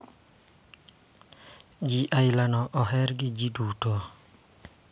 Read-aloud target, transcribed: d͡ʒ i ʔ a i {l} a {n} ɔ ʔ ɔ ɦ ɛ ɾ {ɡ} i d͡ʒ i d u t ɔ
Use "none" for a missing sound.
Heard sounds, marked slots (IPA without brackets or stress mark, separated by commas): l, n, ɡ